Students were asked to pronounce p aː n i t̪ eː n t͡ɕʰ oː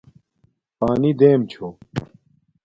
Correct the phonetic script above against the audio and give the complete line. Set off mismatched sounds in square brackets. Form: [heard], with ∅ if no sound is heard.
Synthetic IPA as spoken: p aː n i [d̪] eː [m] t͡ɕʰ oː

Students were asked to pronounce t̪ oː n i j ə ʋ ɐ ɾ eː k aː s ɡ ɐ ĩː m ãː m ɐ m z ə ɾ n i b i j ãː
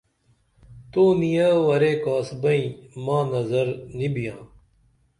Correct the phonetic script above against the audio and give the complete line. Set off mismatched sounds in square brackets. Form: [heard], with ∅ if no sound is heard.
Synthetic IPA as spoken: t̪ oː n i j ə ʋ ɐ ɾ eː k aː s [b] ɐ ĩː m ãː [n] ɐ [∅] z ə ɾ n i b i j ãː

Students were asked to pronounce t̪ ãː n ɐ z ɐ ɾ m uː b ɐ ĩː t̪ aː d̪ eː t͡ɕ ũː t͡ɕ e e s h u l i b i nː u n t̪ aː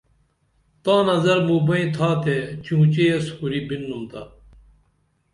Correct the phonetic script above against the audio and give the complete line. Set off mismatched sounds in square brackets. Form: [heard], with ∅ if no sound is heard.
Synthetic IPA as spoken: t̪ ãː n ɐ z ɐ ɾ m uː b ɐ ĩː [t̪ʰ] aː [t̪] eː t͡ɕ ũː t͡ɕ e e s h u [ɾ] i b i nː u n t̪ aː

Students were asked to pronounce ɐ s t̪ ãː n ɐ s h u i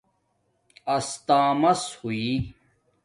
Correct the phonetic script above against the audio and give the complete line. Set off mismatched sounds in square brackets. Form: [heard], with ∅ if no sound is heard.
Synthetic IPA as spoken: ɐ s t̪ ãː [m] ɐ s h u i

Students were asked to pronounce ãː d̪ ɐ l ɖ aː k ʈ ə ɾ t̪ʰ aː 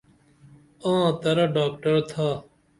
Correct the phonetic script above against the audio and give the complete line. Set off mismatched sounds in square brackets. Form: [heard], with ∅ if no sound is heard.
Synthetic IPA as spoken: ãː [t̪] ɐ [ɾ] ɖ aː k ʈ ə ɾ t̪ʰ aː

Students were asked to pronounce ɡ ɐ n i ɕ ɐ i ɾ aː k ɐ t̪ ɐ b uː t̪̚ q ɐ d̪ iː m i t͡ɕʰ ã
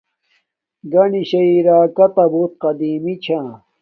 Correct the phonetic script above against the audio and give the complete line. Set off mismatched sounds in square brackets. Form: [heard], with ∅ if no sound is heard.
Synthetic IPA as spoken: ɡ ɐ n i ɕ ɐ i ɾ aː k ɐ t̪ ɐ b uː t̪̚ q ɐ d̪ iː m i t͡ɕʰ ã

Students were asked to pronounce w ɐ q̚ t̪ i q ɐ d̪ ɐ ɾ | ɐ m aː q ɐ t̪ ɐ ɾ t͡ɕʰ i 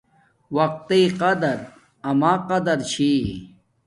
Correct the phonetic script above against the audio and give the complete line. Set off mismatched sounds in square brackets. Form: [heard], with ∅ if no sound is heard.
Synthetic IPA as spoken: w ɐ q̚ t̪ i q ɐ d̪ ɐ ɾ | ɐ m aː q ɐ [d̪] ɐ ɾ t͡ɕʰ i

